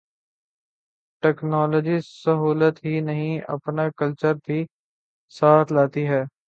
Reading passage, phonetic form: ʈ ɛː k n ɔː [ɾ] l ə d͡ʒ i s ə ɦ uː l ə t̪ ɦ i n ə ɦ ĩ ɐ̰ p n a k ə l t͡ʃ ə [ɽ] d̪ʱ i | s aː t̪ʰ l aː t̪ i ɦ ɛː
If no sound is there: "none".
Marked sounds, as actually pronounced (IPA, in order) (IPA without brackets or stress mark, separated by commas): none, ɾ